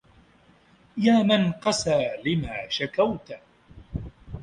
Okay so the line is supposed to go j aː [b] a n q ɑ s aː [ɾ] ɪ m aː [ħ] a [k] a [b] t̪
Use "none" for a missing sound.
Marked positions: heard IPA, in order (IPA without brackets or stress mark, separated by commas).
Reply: m, l, ʃ, k, w